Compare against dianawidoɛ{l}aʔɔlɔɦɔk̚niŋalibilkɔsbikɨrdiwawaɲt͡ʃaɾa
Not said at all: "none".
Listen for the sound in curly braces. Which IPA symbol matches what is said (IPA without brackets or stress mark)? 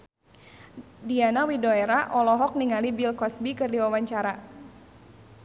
ɾ